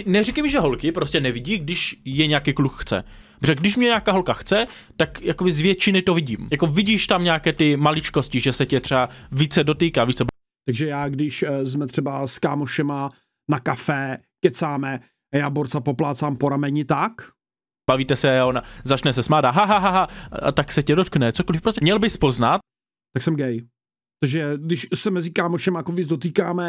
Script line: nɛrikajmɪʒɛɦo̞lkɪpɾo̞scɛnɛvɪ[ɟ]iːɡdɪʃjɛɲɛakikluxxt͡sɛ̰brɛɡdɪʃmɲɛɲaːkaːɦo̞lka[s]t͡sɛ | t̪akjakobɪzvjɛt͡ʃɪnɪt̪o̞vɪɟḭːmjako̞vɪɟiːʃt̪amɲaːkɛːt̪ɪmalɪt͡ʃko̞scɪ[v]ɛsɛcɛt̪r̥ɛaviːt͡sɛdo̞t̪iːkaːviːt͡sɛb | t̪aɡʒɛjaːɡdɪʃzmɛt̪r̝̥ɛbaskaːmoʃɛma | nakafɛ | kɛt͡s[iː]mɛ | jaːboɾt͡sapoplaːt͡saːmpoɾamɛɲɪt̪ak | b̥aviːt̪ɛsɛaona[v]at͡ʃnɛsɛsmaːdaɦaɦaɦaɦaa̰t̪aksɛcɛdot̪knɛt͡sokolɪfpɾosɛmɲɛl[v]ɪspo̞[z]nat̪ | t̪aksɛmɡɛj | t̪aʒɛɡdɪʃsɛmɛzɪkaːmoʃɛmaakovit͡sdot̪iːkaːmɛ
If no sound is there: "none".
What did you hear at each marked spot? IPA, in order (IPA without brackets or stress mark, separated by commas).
ɟ, x, ʒ, aː, z, b, z